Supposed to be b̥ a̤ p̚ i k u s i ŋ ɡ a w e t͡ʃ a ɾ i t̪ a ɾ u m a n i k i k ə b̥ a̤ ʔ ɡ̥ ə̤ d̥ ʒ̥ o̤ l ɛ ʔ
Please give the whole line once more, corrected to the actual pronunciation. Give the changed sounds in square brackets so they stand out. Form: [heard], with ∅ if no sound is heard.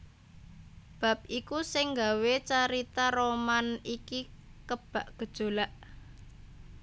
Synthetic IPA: b̥ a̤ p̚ i k u s [ɪ] ŋ ɡ a w e t͡ʃ a ɾ i t̪ a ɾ [o] m a n i k i k ə b̥ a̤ ʔ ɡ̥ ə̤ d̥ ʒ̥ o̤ l [a] ʔ